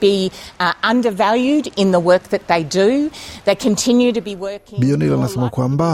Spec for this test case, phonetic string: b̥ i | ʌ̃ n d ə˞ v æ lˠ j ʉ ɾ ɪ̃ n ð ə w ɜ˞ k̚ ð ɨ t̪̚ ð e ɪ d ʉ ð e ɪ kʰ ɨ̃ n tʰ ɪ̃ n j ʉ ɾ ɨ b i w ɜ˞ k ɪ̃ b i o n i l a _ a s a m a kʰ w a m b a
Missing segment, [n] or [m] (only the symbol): n